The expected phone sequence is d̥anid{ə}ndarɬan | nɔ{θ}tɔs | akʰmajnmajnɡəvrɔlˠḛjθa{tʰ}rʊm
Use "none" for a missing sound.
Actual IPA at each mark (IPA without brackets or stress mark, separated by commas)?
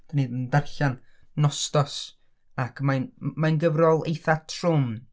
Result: ə, s, tʰ